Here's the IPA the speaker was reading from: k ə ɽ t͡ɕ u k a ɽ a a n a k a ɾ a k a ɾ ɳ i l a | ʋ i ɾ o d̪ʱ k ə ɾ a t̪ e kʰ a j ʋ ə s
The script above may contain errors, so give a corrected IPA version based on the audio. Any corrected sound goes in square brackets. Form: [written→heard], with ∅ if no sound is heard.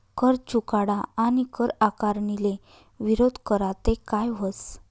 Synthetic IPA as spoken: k ə [ɽ→ɾ] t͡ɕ u k a ɽ a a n [a→i] k [a→ə] ɾ a k a ɾ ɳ i l [a→e] | ʋ i ɾ o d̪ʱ k ə ɾ a t̪ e [kʰ→k] a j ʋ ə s

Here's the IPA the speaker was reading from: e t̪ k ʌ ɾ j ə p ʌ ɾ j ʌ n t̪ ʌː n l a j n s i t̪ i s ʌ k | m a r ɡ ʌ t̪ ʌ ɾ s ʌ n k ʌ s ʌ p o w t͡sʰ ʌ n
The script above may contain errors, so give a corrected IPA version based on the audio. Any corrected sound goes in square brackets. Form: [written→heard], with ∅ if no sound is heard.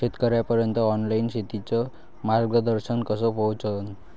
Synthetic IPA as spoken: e t̪ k ʌ ɾ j [ə→a] p ʌ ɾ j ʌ n t̪ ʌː n l a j n s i t̪ i [s→t͡s] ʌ [k→∅] | m a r ɡ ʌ [t̪→d̪] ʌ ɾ s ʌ n k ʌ s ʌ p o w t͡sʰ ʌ n

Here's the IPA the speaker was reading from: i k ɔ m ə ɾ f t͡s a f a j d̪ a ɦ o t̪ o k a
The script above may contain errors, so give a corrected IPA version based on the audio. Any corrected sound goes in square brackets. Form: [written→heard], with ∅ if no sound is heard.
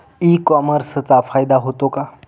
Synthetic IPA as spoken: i k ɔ m ə ɾ [f→s] t͡s a f a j d̪ a ɦ o t̪ o k a

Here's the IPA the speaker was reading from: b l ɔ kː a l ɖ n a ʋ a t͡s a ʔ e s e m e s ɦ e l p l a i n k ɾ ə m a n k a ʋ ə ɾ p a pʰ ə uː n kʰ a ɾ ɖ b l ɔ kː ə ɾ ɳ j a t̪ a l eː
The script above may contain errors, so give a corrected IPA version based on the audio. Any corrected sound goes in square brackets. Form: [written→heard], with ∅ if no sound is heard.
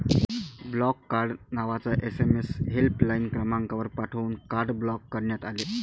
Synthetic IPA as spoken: b l ɔ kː a [l→ɾ] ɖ n a ʋ a t͡s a ʔ e s e m e s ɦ e l p l a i n k ɾ ə m a [n→ŋ] k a ʋ ə ɾ p a [pʰ→ʈʰ] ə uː n [kʰ→k] a ɾ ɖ b l ɔ kː ə ɾ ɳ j a t̪ a l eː

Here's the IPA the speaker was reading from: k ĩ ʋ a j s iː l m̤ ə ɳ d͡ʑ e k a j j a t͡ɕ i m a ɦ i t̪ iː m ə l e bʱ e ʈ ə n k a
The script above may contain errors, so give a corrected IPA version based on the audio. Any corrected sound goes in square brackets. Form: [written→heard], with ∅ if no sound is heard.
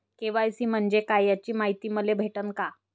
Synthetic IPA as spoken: k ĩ ʋ a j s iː [l→∅] m̤ ə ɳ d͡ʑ e k a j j a t͡ɕ [i→iː] m a ɦ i t̪ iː m ə l e bʱ e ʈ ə n k a

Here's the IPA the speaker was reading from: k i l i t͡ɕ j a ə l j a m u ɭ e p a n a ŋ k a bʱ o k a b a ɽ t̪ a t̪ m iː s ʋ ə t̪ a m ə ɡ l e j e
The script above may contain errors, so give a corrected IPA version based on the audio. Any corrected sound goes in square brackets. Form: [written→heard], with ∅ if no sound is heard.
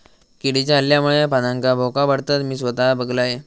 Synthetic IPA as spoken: k i [l→ɽ] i t͡ɕ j a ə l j a m u ɭ e p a n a ŋ k a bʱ o k a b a ɽ t̪ a t̪ m iː s ʋ ə t̪ a [m→b] ə ɡ l [e→a] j e

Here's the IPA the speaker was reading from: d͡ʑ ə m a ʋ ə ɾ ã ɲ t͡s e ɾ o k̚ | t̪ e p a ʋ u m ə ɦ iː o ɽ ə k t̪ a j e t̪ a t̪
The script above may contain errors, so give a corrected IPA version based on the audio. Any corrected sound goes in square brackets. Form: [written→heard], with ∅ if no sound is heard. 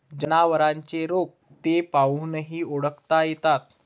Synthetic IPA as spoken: d͡ʑ ə [m→n] a ʋ ə ɾ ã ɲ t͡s e ɾ o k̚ | t̪ e p a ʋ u [m→n] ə ɦ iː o ɽ ə k t̪ a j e t̪ a t̪

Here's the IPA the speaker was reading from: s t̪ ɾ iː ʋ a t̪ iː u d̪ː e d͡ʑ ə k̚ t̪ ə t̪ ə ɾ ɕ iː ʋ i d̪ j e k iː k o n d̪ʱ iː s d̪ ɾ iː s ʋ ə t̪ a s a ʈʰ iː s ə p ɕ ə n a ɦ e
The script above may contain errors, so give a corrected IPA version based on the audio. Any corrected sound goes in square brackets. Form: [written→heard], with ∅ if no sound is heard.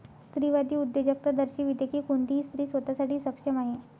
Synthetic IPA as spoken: s t̪ ɾ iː ʋ a [t̪→d̪] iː u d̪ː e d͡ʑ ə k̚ t̪ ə [t̪→d̪] ə ɾ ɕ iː ʋ i d̪ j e k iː k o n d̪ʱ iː s [d̪→t̪] ɾ iː s ʋ ə t̪ a s a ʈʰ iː s ə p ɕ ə [n→m] a ɦ e

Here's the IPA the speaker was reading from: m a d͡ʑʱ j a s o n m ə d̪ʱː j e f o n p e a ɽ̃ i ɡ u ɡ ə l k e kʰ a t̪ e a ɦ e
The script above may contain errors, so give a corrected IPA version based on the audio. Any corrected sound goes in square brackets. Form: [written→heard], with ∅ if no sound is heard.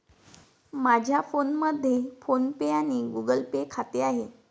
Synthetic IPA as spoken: m a d͡ʑʱ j a [s→f] o n m ə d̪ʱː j e f o n p e a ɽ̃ i ɡ u ɡ ə l [k→p] e kʰ a t̪ e a ɦ e

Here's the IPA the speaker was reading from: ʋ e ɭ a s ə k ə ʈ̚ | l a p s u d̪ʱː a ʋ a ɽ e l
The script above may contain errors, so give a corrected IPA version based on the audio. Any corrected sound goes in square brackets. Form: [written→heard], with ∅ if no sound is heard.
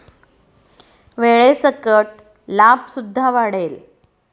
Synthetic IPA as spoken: ʋ e ɭ [a→e] s ə k ə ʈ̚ | l a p s u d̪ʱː a ʋ a ɽ e l

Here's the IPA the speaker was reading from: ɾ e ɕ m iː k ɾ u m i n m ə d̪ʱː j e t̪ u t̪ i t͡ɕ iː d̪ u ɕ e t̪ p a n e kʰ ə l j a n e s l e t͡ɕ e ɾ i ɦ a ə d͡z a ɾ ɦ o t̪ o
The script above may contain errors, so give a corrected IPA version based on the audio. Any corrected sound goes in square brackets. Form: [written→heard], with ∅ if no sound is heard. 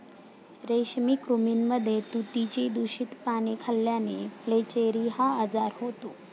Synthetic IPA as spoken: ɾ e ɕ m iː k ɾ u m i n m ə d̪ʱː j e t̪ u t̪ i t͡ɕ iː d̪ u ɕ [e→i] t̪ p a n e kʰ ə l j a n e [s→f] l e t͡ɕ e ɾ i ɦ a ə d͡z a ɾ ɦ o t̪ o

